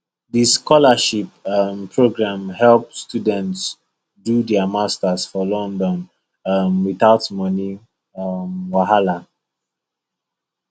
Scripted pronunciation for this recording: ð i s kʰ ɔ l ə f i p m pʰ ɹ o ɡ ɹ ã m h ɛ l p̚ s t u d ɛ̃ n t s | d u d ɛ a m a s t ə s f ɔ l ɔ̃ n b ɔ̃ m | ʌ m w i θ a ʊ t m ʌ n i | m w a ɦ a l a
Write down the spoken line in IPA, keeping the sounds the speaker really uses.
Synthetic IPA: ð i s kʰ ɔ l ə ʃ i p m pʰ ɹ o ɡ ɹ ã m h ɛ l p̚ s t u d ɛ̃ n t s | d u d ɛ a m a s t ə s f ɔ l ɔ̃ n d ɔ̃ n | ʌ m w i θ a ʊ t m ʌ n i | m w a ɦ a l a